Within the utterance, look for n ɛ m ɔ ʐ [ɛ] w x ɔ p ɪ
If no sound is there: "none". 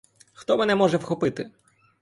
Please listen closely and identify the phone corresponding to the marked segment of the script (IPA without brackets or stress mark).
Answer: ɛ